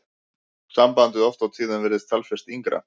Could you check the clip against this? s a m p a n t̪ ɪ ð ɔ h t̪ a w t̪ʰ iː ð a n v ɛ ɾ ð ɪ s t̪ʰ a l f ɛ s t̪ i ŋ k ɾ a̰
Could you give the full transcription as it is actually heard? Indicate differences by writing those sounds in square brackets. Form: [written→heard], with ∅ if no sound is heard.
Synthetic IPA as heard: s a m p a n t̪ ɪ ð ɔ [h→f] t̪ a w t̪ʰ iː ð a n v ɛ ɾ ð ɪ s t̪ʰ a l f ɛ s t̪ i ŋ k ɾ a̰